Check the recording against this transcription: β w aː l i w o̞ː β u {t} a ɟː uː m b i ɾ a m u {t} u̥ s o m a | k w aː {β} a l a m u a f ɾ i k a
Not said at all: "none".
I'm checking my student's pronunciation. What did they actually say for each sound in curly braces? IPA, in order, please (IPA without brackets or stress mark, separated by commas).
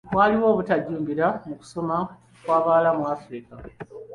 t, k, β